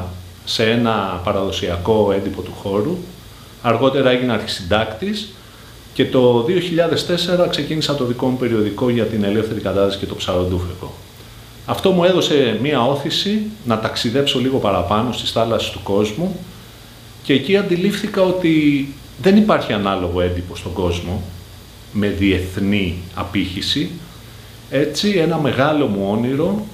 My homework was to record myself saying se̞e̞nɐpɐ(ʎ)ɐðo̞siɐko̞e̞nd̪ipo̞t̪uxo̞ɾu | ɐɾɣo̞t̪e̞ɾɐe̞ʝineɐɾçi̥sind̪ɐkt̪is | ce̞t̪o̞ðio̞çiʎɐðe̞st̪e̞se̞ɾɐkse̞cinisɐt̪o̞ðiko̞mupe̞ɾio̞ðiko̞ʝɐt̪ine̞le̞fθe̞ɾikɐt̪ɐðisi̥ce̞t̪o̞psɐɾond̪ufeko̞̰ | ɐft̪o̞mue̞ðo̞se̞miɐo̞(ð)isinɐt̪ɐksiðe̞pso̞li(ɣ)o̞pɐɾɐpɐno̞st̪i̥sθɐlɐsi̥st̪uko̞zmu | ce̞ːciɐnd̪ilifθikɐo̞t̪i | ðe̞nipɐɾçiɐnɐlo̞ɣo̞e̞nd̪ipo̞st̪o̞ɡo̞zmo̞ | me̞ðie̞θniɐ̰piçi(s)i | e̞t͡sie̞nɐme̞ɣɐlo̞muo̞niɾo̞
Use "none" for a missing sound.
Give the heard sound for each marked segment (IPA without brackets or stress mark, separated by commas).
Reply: ɾ, θ, ɣ, s